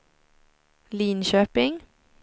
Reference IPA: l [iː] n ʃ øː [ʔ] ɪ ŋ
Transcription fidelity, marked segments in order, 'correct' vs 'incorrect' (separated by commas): correct, incorrect